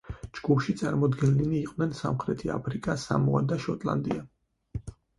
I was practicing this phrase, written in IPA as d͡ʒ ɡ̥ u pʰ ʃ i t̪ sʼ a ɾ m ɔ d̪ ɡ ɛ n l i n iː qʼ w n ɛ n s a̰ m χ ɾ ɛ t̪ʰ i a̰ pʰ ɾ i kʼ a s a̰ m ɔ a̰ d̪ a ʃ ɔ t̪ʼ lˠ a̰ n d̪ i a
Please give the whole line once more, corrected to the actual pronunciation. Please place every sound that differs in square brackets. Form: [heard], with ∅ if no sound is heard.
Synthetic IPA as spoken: d͡ʒ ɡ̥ u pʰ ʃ i t̪ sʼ a ɾ m ɔ d̪ ɡ ɛ n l i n iː qʼ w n ɛ n s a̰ m χ ɾ ɛ t̪ʰ i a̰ pʰ ɾ i kʼ a s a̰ m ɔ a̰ d̪ a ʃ ɔ t̪ʼ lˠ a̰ n d̪ i a